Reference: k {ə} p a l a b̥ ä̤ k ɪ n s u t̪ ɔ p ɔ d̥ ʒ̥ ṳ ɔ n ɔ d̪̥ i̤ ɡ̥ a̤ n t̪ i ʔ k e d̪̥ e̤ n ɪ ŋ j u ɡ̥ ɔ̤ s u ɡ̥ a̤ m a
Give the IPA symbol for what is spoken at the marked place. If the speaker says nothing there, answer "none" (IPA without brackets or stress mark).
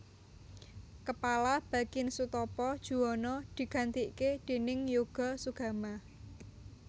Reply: ə